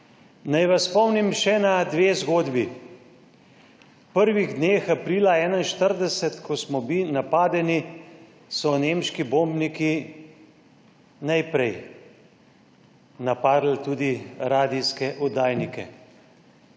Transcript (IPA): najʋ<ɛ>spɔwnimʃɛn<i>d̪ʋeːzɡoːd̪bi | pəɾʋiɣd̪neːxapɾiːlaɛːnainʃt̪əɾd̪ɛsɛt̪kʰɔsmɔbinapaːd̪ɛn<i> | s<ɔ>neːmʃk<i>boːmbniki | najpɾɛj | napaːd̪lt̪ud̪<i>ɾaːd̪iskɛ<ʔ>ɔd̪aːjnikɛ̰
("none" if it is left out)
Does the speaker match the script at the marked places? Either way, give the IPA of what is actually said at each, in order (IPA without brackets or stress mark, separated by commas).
a, a, i, ɔ, i, i, ʔ